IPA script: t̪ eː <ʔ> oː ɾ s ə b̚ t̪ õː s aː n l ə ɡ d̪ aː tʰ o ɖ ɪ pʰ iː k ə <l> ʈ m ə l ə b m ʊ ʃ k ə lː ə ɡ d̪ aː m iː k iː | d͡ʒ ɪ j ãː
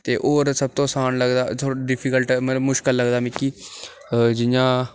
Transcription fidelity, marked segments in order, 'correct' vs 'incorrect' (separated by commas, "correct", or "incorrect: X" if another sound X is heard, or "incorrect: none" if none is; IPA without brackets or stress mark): correct, correct